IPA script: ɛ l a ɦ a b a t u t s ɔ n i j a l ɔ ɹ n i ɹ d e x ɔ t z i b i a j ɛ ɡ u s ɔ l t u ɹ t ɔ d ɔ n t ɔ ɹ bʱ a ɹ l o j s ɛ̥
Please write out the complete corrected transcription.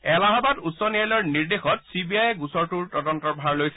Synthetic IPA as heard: ɛ l a ɦ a b a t u t s ɔ n i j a l ɔ ɹ n i ɹ d e x ɔ t s i b i a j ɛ ɡ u s ɔ ɹ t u ɹ t ɔ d ɔ n t ɔ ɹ bʱ a ɹ l o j s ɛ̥